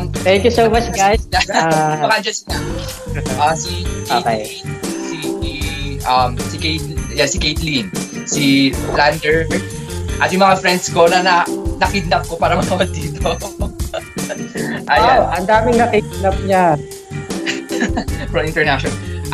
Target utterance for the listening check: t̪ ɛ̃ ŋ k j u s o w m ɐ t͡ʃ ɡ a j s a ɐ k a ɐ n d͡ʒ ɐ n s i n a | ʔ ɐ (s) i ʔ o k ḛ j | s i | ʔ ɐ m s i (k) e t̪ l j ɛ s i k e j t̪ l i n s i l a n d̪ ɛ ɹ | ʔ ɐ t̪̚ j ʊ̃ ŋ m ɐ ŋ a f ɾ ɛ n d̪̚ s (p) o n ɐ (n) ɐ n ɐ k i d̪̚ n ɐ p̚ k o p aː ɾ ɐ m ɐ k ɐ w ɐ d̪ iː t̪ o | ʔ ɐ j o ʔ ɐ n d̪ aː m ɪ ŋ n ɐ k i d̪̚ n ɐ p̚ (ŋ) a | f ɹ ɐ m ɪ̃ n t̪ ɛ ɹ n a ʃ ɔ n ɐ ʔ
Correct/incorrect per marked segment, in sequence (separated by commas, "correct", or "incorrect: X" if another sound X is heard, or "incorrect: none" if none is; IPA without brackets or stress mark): correct, correct, incorrect: k, correct, incorrect: ɲ